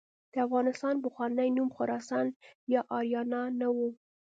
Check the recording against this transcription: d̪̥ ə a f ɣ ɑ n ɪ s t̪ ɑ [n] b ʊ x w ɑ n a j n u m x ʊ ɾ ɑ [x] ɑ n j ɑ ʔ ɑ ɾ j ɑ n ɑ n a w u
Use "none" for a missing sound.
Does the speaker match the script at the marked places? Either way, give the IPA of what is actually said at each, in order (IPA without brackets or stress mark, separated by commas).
n, s